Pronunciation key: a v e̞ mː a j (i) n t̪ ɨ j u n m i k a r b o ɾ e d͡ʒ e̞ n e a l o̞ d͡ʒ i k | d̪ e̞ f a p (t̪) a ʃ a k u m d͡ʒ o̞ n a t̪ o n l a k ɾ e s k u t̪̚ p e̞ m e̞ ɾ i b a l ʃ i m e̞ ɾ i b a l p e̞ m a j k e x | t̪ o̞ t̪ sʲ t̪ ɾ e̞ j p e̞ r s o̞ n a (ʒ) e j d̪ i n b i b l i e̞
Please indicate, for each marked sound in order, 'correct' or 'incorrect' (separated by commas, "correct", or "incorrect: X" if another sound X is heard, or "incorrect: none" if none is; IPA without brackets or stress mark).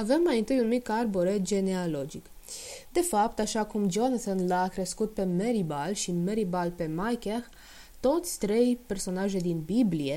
correct, correct, correct